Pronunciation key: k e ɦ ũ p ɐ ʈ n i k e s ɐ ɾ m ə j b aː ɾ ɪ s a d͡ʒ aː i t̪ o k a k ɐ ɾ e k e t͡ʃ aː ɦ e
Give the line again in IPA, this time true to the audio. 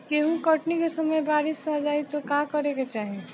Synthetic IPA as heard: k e ɦ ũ k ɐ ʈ n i k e s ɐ m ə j b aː ɾ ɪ s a d͡ʒ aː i t̪ o k a k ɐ ɾ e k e t͡ʃ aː ɦ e